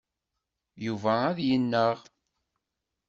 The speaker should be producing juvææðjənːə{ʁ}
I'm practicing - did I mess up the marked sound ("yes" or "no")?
no